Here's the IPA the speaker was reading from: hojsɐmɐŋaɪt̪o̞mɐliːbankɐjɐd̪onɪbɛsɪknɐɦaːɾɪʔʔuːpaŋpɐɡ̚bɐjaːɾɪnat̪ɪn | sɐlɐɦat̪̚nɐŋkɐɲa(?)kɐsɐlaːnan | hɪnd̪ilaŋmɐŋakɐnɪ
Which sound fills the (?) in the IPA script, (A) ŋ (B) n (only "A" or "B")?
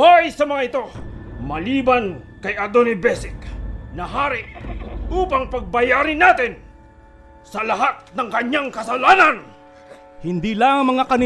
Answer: A